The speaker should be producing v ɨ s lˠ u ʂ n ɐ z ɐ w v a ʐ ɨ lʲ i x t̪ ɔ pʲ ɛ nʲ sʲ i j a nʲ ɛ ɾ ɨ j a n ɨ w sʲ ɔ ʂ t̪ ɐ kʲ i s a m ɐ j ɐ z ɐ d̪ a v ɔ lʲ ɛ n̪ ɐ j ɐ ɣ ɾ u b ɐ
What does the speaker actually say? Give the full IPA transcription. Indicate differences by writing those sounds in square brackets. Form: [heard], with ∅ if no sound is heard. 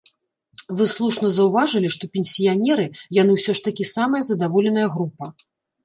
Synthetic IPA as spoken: v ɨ s lˠ u ʂ n ɐ z ɐ w v a ʐ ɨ lʲ i [ʂ] t̪ ɔ pʲ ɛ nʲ sʲ i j a nʲ ɛ ɾ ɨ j a n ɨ w sʲ ɔ ʂ t̪ ɐ kʲ i s a m ɐ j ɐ z ɐ d̪ a v ɔ lʲ ɛ n̪ ɐ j ɐ ɣ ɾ u [p] ɐ